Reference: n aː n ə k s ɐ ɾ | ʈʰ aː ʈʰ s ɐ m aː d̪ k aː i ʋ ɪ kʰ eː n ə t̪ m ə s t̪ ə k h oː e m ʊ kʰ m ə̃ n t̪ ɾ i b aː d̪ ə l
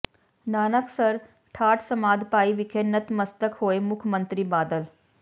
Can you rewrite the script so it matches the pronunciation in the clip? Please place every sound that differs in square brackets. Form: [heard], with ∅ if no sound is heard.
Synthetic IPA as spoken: n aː n ə k s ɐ ɾ | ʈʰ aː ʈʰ s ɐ m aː d̪ [p] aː i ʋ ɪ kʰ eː n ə t̪ m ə s t̪ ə k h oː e m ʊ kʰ m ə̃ n t̪ ɾ i b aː d̪ ə l